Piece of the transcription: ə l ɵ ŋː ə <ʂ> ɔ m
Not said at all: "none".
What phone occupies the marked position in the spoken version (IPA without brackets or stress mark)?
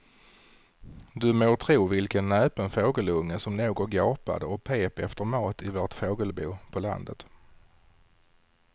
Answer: s